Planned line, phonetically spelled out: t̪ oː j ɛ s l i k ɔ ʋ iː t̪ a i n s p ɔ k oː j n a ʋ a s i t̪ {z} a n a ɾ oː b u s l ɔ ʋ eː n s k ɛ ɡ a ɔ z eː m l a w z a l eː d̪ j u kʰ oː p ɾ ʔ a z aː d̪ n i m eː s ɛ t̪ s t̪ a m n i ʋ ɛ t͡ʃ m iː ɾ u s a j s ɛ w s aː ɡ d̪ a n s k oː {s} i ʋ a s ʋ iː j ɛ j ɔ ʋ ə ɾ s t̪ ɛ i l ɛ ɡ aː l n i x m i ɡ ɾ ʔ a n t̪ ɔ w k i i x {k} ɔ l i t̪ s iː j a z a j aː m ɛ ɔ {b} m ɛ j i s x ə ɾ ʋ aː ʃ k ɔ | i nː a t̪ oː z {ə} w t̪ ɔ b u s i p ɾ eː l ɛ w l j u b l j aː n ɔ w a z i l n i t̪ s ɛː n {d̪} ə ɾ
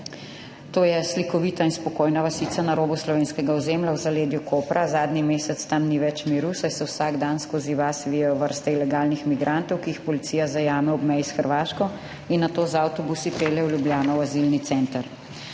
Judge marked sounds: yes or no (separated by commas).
no, no, no, yes, no, no